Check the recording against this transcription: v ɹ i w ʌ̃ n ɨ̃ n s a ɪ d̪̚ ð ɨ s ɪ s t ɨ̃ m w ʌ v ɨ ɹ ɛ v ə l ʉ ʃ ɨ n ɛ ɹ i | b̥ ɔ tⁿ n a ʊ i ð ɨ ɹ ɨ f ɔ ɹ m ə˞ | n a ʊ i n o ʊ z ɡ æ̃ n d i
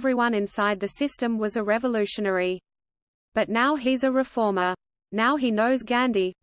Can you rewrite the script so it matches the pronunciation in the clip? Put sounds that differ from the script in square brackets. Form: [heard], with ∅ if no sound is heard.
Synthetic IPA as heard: v ɹ i w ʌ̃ n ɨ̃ n s a ɪ d̪̚ ð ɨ s ɪ s t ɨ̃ m w ʌ [z] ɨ ɹ ɛ v ə l ʉ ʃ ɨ n ɛ ɹ i | b̥ [ʌ] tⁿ n a ʊ i [z] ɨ ɹ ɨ f ɔ ɹ m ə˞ | n a ʊ i n o ʊ z ɡ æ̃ n d i

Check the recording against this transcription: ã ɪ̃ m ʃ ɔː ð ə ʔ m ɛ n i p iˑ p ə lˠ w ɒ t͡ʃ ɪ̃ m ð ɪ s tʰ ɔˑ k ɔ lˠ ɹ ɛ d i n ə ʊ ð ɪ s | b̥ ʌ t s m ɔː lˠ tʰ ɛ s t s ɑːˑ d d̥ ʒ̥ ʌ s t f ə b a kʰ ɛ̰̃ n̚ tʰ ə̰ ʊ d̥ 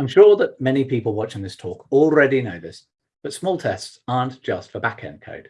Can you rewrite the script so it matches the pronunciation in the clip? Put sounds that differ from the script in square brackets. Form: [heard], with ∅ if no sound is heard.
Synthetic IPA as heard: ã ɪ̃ m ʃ ɔː ð ə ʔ m ɛ n i p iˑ p ə lˠ w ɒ t͡ʃ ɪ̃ [ŋ] ð ɪ s tʰ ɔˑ k ɔ lˠ ɹ ɛ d i n ə ʊ ð ɪ s | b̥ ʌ t s m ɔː lˠ tʰ ɛ s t s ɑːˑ [n] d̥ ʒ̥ ʌ s t f ə b a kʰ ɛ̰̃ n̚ [kʰ] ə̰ ʊ d̥

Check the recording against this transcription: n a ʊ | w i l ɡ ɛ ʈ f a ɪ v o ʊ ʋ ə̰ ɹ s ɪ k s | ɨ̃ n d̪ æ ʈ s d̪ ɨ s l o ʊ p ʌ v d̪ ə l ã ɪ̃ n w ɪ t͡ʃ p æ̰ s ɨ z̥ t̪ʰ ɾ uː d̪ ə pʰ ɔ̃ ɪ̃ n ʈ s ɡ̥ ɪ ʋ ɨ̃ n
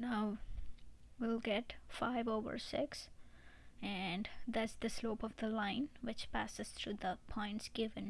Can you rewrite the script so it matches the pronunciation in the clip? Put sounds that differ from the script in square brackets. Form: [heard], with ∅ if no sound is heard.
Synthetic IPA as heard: n a ʊ | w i l ɡ ɛ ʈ f a ɪ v o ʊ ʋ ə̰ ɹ s ɪ k s | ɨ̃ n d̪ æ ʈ s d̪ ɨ s l o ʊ p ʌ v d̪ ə l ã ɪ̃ n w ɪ t͡ʃ p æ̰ s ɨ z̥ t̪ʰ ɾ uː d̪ ə pʰ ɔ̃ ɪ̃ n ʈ s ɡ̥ ɪ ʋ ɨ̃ n

